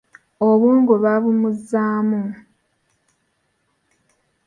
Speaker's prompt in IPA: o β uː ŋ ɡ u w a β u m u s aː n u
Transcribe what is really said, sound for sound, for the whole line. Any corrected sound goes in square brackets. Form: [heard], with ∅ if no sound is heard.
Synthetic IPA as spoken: o β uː ŋ ɡ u [β] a β u m u [z] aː [m] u